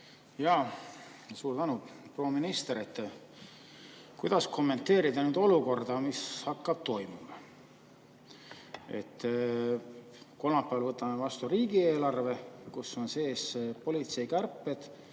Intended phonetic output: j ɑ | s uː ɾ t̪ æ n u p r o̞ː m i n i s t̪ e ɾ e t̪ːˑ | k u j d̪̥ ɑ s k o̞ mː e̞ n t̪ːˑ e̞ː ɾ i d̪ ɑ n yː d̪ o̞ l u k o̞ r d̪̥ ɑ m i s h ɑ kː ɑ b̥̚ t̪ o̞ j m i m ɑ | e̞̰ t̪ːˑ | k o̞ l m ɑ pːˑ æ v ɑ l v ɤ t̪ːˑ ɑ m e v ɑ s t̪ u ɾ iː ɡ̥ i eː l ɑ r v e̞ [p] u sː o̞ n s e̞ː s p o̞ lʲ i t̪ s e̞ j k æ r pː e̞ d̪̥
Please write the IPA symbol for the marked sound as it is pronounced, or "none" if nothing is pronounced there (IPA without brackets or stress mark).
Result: k